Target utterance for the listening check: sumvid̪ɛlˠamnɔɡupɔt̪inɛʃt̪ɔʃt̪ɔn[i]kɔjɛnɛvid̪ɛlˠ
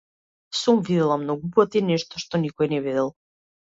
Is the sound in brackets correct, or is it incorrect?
correct